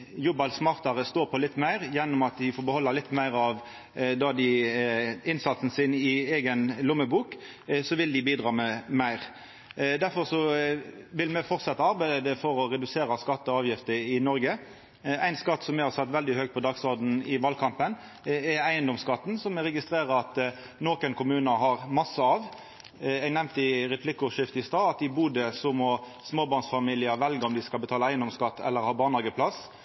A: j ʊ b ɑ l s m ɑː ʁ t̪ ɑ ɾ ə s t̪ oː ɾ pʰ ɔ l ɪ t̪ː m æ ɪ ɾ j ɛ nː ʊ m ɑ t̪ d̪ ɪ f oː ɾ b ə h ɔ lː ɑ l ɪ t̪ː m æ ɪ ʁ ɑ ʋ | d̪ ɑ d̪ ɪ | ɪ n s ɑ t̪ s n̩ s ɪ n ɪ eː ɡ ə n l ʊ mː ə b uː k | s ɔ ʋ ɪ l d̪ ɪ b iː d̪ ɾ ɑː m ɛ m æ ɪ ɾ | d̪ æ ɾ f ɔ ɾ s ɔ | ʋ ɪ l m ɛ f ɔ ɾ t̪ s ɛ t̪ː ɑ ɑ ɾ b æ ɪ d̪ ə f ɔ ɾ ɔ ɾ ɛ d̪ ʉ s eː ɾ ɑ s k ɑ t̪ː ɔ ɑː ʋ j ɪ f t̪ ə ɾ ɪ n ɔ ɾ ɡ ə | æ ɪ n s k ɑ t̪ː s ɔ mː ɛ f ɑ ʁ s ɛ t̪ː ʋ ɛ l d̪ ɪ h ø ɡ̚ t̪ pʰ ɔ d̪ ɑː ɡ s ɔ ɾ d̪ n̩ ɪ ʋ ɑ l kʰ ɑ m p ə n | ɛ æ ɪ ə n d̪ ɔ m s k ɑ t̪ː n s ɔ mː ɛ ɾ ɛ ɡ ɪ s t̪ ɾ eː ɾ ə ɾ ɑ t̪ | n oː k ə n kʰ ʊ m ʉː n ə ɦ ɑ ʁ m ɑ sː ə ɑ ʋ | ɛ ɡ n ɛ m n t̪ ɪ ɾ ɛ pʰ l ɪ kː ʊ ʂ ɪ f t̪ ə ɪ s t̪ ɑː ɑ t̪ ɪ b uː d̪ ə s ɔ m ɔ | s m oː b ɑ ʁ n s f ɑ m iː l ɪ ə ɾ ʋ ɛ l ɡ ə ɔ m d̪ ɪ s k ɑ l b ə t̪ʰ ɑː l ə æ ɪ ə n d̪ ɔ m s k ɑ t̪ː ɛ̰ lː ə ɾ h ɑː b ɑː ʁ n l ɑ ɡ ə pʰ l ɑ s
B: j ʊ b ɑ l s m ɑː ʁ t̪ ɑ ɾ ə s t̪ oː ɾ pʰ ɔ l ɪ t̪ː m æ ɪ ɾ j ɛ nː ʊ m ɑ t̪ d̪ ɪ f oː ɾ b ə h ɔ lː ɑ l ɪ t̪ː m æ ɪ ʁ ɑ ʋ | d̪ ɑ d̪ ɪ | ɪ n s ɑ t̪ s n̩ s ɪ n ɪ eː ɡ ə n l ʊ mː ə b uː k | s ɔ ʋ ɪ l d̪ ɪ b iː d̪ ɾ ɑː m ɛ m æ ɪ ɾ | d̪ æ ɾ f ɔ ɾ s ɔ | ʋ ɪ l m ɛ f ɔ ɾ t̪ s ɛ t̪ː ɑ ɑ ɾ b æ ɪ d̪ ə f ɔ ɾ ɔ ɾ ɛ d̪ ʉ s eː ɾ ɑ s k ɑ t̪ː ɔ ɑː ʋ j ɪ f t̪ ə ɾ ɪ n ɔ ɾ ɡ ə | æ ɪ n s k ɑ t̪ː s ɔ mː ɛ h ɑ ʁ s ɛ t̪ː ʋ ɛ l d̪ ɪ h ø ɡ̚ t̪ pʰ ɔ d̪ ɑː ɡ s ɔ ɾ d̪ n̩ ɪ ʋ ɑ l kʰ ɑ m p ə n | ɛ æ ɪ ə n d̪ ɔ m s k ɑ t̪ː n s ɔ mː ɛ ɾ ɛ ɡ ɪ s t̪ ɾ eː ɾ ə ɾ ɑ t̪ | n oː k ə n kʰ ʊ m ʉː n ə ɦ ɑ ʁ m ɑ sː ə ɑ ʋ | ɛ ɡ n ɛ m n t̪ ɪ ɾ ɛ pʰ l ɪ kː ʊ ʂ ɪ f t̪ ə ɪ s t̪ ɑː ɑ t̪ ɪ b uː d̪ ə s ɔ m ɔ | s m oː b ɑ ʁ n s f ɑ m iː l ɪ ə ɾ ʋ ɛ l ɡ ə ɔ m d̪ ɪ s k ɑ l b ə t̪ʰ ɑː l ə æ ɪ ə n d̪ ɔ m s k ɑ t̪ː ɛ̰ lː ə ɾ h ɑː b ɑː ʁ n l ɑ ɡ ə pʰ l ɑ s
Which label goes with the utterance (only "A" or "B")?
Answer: B